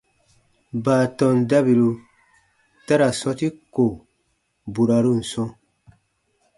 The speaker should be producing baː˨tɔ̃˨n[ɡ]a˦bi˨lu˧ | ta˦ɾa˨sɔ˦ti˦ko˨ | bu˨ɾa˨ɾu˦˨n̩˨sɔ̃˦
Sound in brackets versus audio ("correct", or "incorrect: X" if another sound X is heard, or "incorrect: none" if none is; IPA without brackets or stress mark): incorrect: d